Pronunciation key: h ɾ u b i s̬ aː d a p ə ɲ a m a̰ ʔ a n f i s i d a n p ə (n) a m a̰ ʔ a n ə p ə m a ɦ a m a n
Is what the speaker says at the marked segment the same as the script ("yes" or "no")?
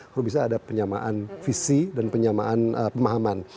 no